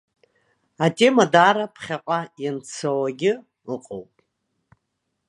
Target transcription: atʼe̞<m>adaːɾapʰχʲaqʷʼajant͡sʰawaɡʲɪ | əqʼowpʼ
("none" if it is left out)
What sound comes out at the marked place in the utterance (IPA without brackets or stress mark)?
m